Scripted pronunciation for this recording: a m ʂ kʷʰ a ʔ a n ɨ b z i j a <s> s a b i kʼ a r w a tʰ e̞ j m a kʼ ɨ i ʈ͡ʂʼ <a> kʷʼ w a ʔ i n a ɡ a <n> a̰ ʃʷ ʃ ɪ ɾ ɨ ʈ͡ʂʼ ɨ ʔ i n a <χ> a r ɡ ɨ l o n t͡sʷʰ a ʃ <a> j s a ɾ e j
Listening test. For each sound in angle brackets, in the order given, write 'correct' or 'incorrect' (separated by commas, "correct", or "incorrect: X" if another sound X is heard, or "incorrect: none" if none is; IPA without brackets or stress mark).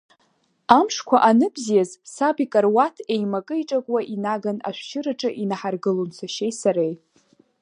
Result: incorrect: z, correct, correct, incorrect: ħ, incorrect: e